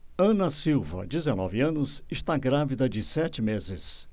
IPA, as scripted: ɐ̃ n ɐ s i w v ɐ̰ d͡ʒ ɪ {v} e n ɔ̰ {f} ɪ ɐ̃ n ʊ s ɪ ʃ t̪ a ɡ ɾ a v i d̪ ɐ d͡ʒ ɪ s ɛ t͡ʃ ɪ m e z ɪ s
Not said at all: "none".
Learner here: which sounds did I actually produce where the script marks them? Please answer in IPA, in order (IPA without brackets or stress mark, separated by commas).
z, v